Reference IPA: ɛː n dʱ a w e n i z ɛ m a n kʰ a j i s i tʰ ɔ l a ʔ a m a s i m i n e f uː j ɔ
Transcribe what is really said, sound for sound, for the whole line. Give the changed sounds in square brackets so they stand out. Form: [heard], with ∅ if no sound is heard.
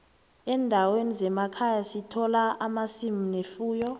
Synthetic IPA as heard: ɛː n dʱ a w e n i z ɛ m a [∅] kʰ a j [a] s i tʰ ɔ l a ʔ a m a s i m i n e f uː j ɔ